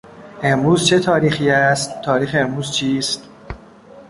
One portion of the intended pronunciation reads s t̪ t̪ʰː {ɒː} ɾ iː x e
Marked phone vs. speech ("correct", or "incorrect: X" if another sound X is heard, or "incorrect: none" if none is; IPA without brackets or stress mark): correct